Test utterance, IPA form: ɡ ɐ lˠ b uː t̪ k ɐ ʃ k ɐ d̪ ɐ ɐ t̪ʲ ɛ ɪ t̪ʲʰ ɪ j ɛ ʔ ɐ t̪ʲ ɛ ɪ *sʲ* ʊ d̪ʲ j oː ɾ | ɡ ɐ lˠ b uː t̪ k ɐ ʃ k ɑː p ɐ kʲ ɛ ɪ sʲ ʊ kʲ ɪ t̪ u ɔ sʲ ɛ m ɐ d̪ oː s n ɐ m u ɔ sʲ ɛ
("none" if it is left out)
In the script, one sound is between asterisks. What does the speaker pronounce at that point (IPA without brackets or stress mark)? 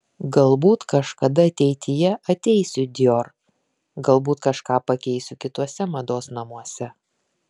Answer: sʲ